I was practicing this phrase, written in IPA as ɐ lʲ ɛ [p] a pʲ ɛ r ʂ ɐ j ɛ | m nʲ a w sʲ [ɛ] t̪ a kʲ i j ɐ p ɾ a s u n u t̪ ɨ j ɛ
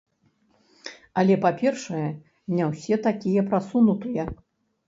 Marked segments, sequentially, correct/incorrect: correct, correct

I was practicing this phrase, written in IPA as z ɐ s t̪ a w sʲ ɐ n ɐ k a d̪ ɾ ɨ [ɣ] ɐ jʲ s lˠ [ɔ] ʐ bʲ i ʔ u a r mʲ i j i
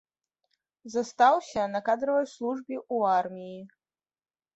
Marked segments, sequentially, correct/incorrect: incorrect: v, incorrect: u

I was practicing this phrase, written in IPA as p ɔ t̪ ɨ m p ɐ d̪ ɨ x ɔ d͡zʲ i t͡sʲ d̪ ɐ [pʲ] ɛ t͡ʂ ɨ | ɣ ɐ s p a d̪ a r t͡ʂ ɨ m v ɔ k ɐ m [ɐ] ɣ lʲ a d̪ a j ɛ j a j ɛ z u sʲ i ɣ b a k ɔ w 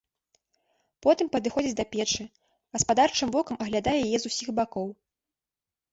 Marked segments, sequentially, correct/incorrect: correct, correct

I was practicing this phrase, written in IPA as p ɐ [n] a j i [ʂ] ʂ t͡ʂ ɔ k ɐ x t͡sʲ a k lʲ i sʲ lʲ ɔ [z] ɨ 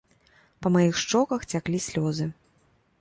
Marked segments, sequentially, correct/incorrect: incorrect: m, incorrect: x, correct

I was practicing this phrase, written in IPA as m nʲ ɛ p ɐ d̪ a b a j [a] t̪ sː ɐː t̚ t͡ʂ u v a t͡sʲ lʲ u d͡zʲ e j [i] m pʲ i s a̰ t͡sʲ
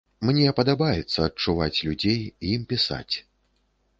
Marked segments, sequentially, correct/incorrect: incorrect: ɛ, correct

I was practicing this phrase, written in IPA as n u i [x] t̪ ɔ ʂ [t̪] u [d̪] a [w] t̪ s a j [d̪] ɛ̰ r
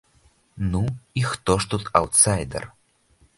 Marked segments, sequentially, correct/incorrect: correct, correct, incorrect: t̪, correct, correct

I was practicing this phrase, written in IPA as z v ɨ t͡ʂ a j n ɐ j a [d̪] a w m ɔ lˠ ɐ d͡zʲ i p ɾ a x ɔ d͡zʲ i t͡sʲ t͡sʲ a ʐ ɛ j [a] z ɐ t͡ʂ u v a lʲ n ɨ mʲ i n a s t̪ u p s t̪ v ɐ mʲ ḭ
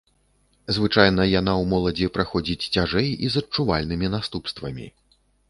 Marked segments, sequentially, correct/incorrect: incorrect: n̪, incorrect: i

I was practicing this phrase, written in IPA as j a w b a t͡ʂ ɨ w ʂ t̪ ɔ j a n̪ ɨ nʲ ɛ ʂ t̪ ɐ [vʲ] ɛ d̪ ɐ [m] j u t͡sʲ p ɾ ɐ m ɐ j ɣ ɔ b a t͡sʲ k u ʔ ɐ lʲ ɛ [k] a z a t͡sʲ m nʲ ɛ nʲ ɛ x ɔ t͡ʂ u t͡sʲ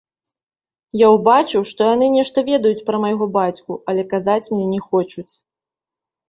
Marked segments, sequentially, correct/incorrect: correct, incorrect: none, correct

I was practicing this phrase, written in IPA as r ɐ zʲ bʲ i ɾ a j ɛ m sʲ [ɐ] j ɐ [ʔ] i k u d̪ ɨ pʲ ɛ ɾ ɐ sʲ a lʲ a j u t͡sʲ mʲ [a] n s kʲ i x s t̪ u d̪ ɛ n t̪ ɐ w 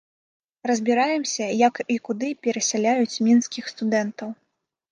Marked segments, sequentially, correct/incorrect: correct, incorrect: k, incorrect: i

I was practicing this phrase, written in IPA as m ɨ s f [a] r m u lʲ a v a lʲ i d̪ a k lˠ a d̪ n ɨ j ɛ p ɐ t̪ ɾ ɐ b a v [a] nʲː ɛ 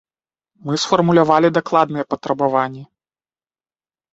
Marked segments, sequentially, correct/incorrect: incorrect: ɐ, correct

